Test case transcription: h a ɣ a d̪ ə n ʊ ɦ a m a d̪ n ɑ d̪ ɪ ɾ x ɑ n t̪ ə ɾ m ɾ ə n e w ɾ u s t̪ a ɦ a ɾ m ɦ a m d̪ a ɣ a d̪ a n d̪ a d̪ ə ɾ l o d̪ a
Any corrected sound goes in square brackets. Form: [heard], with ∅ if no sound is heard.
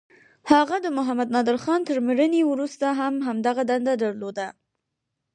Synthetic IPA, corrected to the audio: h a ɣ a d̪ ə [m] ʊ ɦ a m a d̪ n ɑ d̪ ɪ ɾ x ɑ n t̪ ə ɾ m ɾ ə n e w ɾ u s t̪ a ɦ a [∅] m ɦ a m d̪ a ɣ a d̪ a n d̪ a d̪ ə ɾ l o d̪ a